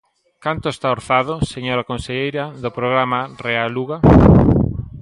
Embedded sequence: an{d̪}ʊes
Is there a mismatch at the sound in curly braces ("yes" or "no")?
yes